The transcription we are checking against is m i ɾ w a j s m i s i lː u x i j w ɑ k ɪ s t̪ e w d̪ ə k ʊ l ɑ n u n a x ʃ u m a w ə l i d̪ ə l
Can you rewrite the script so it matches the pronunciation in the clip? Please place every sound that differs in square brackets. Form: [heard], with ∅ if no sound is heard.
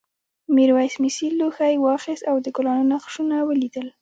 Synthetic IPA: m i ɾ w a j s m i s i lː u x [a] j w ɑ [x] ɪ s t̪ [a] w d̪ ə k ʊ l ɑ n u n a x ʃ u [n] a w ə l i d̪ ə l